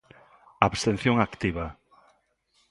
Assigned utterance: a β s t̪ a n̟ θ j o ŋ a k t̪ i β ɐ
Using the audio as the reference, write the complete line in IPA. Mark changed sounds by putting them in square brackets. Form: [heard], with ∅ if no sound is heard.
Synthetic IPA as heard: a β s t̪ [e] n̟ θ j o ŋ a k t̪ i β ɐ